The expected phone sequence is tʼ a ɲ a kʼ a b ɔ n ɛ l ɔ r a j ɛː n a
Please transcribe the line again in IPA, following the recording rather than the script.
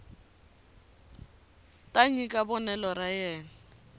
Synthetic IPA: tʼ a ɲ i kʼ a b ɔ n ɛ l ɔ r a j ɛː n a